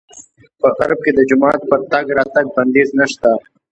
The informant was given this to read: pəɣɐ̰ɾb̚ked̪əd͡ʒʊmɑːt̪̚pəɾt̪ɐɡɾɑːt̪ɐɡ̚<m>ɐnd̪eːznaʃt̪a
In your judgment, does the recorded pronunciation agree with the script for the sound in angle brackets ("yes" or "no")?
no